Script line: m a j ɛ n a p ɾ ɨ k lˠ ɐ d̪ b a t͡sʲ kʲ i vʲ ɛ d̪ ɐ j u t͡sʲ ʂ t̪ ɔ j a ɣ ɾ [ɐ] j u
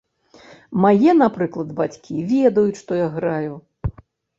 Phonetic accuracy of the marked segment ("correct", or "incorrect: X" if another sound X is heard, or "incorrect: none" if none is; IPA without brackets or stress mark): incorrect: a